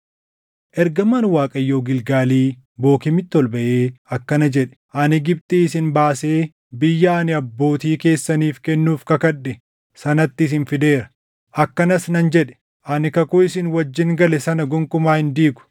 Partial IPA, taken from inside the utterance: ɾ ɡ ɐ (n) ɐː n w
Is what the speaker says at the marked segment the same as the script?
no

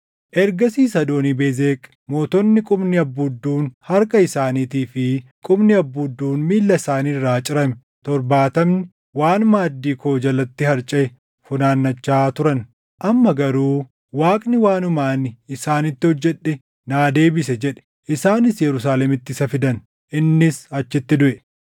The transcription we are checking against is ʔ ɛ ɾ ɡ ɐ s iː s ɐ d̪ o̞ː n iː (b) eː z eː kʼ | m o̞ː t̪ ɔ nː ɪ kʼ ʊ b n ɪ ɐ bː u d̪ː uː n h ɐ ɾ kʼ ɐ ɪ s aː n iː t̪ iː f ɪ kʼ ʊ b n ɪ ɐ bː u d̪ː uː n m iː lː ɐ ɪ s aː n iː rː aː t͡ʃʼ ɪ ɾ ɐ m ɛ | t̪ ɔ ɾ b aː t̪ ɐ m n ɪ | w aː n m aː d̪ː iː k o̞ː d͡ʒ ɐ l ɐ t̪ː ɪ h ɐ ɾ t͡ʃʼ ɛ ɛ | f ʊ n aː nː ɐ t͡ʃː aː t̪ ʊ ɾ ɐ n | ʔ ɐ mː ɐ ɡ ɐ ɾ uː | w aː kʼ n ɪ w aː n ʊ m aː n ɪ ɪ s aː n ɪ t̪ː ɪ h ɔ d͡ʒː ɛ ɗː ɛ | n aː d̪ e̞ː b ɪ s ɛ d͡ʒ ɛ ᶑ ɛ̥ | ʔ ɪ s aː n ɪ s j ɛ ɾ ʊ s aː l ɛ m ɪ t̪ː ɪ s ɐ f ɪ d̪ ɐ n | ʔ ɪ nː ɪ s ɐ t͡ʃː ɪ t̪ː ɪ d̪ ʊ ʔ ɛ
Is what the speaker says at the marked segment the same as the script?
yes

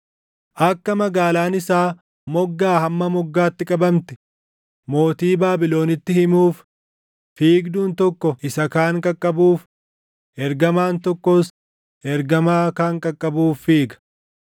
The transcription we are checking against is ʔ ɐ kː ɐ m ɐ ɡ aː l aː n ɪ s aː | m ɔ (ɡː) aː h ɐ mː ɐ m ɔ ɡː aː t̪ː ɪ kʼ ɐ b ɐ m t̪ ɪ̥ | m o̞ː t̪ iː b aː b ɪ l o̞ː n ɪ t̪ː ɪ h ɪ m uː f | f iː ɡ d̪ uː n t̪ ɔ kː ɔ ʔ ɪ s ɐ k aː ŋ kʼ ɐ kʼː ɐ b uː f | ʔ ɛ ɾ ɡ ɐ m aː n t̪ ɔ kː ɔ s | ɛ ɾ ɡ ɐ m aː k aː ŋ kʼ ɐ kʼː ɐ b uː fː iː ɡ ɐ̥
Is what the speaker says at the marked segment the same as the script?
yes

